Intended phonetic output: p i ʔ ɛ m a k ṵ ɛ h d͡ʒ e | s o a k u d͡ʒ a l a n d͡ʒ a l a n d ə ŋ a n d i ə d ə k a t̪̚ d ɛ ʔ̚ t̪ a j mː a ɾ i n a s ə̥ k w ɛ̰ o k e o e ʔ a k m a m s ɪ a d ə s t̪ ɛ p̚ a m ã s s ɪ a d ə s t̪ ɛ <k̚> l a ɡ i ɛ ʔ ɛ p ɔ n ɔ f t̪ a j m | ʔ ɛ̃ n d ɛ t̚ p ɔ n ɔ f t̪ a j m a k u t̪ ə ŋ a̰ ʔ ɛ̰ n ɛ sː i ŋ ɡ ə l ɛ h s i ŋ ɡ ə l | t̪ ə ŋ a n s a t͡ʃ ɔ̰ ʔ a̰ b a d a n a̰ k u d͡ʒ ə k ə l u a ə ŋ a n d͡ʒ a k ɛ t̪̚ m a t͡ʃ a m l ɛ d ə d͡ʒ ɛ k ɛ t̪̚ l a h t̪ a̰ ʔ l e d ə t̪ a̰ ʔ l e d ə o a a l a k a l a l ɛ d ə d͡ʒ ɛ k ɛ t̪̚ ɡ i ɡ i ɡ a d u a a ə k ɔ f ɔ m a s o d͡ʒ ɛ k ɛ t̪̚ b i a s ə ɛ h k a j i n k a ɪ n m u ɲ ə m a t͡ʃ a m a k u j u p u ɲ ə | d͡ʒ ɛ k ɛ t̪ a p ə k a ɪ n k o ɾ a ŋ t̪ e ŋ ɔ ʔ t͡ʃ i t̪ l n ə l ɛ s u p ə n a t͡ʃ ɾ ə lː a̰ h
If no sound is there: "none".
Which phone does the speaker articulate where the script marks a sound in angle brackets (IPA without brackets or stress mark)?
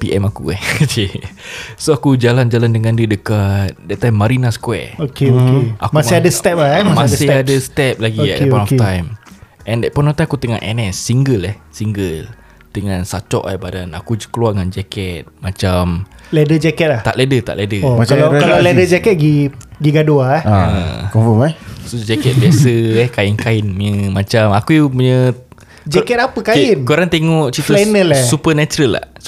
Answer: p̚